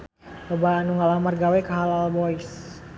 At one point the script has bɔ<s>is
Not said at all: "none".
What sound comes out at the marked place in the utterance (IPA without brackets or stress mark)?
none